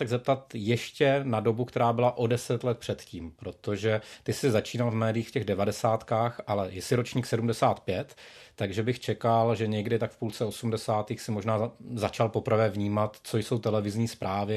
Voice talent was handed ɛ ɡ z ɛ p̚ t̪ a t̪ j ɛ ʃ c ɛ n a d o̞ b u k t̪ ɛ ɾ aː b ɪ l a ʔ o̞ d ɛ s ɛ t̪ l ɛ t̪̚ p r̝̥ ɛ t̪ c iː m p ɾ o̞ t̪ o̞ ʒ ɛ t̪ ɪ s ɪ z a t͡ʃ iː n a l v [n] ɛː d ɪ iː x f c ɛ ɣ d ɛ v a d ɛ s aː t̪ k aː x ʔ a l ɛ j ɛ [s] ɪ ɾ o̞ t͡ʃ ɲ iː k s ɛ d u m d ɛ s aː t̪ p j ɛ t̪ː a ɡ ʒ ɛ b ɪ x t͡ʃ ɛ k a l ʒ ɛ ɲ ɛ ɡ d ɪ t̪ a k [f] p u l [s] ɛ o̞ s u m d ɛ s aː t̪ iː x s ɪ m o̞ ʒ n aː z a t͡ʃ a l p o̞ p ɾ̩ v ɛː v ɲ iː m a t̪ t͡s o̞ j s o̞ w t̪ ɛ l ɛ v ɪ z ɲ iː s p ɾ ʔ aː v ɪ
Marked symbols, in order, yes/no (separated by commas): no, yes, yes, no